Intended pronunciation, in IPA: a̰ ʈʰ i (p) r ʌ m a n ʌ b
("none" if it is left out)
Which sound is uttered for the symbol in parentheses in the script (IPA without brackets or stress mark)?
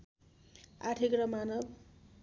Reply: k